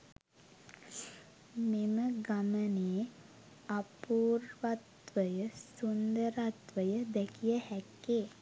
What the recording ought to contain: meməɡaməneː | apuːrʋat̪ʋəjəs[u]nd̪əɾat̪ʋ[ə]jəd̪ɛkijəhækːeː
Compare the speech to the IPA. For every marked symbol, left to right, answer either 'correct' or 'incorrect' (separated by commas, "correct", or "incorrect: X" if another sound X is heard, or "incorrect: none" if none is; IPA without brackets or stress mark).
correct, correct